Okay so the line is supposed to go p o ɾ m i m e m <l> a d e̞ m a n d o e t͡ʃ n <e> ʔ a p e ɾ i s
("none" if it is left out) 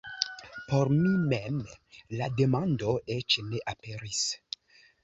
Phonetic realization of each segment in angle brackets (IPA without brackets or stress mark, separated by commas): l, e